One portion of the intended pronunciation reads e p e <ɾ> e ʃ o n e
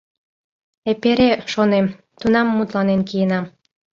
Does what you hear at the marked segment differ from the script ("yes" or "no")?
no